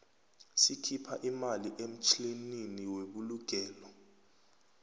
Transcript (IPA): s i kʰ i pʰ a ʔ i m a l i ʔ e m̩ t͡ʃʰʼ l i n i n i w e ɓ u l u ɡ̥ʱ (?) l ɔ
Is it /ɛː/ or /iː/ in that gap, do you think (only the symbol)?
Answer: ɛː